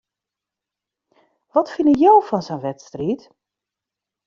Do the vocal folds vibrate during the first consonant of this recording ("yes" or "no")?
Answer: yes